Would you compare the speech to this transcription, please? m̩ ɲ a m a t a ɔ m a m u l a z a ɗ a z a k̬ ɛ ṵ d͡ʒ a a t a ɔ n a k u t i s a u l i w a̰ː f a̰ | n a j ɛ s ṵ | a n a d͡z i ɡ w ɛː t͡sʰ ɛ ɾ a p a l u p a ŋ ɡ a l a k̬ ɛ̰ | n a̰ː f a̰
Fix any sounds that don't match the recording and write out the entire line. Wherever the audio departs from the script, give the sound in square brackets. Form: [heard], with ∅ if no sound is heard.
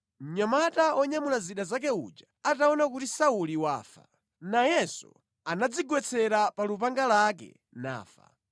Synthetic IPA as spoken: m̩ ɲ a m a t a ɔ [ɲ] a m u l a z [i] ɗ a z a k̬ ɛ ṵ d͡ʒ a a t a ɔ n a k u t i s a u l i w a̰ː f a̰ | n a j ɛ s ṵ | a n a d͡z i ɡ w [ɛ] t͡sʰ ɛ ɾ a p a l u p a ŋ ɡ a l a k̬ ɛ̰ | n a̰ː f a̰

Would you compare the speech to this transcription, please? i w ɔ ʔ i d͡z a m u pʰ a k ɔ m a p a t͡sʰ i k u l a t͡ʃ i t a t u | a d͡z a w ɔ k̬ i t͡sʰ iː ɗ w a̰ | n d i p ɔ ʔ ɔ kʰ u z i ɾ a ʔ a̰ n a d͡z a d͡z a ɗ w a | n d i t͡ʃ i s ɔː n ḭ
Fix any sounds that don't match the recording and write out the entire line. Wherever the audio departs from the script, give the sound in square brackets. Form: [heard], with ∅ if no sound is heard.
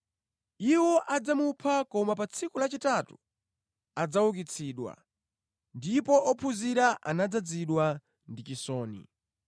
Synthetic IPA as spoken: i w ɔ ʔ [a] d͡z a m u pʰ a k ɔ m a p a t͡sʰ i k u l a t͡ʃ i t a t u | a d͡z a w [u] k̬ i t͡sʰ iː ɗ w a̰ | n d i p ɔ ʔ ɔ [pʰ] u z i ɾ a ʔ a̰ n a d͡z a d͡z [i] ɗ w a | n d i t͡ʃ i s ɔː n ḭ

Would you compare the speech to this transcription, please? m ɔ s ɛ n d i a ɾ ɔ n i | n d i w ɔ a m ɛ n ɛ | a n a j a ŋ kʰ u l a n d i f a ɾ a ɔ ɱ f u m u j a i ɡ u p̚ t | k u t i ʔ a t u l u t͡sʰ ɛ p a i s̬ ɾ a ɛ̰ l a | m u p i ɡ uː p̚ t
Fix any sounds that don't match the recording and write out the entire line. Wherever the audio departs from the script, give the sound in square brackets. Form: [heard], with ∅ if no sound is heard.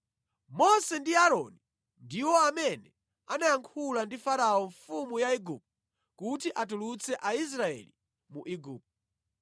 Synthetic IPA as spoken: m ɔ s ɛ n d i a ɾ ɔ n i | n d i w ɔ a m ɛ n ɛ | a n a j a ŋ kʰ u l a n d i f a ɾ a ɔ ɱ f u m u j a i ɡ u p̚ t | k u t i ʔ a t u l u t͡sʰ ɛ [ʔ] a i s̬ ɾ a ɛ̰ l [i] | m u [ʔ] i ɡ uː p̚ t

